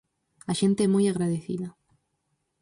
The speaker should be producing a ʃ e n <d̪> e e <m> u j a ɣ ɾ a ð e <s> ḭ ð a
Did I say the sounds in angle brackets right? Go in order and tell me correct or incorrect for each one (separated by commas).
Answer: incorrect, correct, incorrect